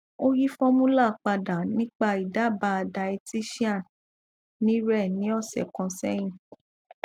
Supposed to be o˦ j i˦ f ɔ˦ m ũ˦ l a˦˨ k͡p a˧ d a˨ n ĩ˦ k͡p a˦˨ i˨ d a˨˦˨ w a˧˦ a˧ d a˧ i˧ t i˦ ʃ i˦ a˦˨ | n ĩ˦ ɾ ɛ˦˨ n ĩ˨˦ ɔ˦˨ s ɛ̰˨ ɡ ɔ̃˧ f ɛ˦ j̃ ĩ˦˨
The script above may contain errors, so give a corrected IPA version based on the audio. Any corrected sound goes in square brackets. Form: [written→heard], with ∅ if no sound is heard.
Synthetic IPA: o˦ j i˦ f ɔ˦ m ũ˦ l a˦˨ k͡p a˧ d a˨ n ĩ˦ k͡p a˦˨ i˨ d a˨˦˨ [w→b] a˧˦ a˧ d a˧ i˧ t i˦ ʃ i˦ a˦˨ | n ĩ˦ ɾ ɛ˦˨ n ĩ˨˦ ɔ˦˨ s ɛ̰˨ [ɡ→k] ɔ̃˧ [f→s] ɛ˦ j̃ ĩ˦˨